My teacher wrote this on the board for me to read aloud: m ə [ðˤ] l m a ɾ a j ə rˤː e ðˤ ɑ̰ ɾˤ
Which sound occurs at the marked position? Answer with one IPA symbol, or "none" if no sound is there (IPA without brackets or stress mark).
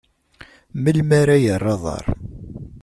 none